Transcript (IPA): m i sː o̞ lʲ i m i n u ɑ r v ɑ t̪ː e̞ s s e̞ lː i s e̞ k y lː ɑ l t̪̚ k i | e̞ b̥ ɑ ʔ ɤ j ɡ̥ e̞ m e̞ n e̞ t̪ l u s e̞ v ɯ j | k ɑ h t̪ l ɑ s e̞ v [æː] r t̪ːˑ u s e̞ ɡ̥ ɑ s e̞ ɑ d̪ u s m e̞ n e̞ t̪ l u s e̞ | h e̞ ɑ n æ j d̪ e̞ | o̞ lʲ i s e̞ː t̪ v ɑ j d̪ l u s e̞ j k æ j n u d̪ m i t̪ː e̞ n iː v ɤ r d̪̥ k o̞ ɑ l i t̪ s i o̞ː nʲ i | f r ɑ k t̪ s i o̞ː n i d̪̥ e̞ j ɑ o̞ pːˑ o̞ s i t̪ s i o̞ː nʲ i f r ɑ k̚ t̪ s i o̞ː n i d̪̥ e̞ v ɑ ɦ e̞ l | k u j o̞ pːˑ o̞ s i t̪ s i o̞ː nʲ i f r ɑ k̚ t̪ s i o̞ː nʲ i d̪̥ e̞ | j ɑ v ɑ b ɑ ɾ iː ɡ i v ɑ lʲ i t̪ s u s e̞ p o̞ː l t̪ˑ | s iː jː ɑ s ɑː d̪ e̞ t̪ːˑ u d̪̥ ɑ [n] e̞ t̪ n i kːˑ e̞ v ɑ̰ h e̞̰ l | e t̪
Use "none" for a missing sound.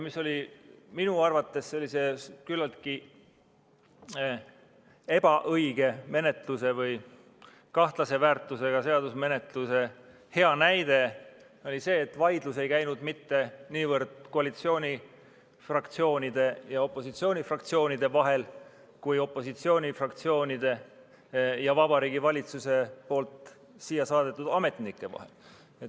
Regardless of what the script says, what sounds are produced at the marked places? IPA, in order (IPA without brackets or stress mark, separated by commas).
æː, m